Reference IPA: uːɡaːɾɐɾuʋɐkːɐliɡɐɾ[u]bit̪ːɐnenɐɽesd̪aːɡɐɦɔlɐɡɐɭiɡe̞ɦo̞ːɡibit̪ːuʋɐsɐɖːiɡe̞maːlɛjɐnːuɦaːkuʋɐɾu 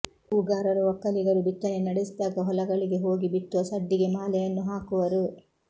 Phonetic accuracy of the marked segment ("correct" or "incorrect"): correct